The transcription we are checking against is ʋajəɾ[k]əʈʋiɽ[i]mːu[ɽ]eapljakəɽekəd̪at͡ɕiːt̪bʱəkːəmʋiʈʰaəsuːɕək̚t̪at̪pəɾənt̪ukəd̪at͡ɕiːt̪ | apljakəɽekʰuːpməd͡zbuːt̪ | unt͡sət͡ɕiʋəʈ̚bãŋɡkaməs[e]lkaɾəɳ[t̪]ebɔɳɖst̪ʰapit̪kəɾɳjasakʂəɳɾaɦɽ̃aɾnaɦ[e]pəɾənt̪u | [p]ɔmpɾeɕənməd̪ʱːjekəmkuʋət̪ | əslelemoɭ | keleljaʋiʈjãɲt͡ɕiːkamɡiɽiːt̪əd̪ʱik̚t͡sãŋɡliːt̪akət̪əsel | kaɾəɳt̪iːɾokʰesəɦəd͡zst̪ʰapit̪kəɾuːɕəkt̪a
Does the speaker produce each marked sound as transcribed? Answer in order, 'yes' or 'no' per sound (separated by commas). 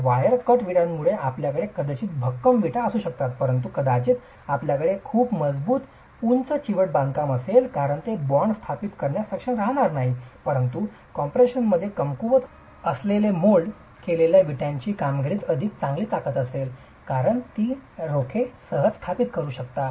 yes, no, no, yes, yes, no, no